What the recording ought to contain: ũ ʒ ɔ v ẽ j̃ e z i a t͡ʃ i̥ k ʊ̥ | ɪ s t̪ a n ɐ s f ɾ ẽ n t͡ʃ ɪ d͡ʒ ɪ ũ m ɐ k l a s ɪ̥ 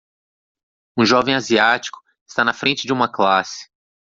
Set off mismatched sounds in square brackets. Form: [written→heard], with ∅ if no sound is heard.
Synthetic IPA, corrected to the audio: ũ ʒ ɔ v ẽ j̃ [e→a] z i a t͡ʃ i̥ k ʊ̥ | ɪ s t̪ a n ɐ [s→∅] f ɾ ẽ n t͡ʃ ɪ d͡ʒ ɪ ũ m ɐ k l a s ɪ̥